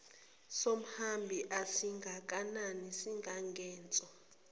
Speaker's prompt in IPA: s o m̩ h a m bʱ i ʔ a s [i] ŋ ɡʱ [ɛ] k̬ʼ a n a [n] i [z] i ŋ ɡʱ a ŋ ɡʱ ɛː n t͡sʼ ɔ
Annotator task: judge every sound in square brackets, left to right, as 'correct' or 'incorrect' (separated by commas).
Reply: correct, incorrect, correct, incorrect